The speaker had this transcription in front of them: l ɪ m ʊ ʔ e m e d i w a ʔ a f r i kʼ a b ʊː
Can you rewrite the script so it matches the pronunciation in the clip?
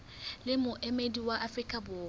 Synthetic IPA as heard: l ɪ m ʊ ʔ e m e d i w a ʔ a f r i kʼ a b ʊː